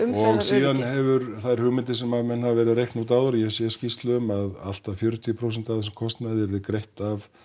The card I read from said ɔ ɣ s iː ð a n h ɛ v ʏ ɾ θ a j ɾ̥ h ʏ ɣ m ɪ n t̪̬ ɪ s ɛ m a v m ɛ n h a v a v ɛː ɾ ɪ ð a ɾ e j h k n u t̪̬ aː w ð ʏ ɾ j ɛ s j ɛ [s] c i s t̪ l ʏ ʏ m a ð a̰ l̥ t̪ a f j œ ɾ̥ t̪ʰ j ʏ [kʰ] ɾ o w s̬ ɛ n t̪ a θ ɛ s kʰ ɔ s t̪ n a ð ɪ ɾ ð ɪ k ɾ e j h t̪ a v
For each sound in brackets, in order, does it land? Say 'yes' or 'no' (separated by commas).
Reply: yes, no